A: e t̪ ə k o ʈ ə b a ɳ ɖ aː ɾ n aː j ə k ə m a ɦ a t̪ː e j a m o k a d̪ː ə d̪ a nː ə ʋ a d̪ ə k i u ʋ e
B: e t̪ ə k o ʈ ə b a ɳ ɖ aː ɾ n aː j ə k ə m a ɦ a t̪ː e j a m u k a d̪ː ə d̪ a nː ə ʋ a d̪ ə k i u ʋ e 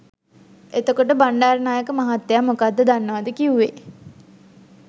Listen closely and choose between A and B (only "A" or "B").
A